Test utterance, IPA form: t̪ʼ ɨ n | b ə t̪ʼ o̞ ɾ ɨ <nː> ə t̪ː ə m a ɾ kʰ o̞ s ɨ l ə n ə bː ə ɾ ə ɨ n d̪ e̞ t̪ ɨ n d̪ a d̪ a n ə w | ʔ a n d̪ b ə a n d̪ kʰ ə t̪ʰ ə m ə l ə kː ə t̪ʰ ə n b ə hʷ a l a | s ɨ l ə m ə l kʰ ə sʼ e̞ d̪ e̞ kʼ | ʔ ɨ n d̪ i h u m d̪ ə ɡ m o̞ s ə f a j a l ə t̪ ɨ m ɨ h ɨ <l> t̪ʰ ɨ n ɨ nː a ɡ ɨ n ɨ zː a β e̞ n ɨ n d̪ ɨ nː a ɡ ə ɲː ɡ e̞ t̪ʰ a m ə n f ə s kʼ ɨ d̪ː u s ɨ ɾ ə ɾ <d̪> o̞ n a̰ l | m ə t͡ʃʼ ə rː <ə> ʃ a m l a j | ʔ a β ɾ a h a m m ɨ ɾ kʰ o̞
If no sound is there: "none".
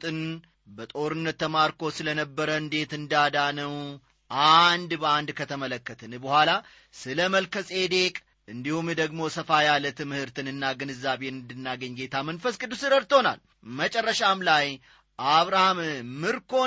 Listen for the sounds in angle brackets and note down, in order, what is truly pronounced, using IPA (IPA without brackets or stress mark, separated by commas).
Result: nː, ɾ, t̪, ə